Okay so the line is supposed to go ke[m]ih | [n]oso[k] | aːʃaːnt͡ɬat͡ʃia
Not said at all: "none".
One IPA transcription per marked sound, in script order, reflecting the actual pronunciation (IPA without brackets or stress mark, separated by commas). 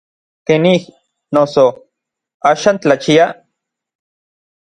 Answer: n, n, none